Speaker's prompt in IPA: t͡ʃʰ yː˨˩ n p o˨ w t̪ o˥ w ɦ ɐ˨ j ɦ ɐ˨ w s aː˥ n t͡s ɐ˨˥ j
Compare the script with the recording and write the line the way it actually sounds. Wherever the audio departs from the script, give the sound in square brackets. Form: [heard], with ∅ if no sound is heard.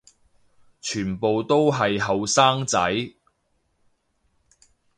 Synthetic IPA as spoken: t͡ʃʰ yː˨˩ n p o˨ w t̪ o˥ w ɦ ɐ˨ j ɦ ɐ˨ w s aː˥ [ŋ] t͡s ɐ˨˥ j

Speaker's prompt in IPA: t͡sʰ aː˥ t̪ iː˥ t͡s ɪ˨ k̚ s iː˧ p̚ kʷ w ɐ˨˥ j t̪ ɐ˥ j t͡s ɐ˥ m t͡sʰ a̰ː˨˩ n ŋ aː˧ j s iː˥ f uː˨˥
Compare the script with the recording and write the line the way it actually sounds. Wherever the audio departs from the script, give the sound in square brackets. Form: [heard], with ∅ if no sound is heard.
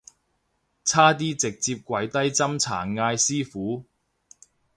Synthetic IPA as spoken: t͡sʰ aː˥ t̪ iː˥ t͡s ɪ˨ k̚ [t͡s] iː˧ p̚ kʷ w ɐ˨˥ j t̪ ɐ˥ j t͡s ɐ˥ m t͡sʰ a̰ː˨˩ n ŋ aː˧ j s iː˥ f uː˨˥

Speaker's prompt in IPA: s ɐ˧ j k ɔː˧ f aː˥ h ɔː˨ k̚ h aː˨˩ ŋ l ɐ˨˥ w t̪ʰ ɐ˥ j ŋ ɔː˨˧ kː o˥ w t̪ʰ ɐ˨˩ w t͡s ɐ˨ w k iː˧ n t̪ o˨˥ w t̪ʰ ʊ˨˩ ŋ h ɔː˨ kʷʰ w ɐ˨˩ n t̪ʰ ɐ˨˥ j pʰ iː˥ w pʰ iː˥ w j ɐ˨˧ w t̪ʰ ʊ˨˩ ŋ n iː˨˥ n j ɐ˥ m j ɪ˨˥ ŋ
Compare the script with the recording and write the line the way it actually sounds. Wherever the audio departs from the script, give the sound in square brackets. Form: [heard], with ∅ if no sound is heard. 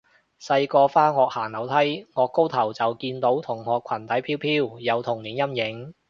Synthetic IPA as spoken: s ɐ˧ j k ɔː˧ f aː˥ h ɔː˨ k̚ h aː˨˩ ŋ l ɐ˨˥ w t̪ʰ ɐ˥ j ŋ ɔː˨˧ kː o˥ w t̪ʰ ɐ˨˩ w t͡s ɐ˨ w k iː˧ n t̪ o˨˥ w t̪ʰ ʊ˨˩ ŋ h ɔː˨ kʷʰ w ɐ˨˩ n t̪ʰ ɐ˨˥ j pʰ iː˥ w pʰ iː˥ w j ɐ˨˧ w t̪ʰ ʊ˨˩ ŋ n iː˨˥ n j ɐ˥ m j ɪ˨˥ ŋ

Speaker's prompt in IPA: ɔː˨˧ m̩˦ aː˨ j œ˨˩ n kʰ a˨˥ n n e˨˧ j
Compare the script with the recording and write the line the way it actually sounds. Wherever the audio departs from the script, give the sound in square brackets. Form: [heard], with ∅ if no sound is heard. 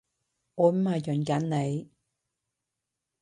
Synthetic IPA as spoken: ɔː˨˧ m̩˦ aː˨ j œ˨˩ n [k] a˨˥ n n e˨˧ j

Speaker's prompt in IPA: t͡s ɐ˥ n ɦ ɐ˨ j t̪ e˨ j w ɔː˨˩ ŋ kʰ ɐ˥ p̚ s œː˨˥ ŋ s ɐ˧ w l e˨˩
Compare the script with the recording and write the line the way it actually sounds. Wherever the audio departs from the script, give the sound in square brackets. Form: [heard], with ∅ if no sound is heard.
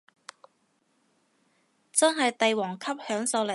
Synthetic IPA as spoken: t͡s ɐ˥ n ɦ ɐ˨ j t̪ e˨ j w ɔː˨˩ ŋ kʰ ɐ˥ p̚ [h] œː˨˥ ŋ s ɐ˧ w l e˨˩

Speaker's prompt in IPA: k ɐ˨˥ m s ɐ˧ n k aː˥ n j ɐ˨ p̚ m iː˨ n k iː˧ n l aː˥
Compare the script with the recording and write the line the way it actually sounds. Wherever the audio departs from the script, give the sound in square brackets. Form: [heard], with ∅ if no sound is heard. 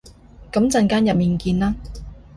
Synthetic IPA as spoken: k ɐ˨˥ m [t͡s] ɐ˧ n k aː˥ n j ɐ˨ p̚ m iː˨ n k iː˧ n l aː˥

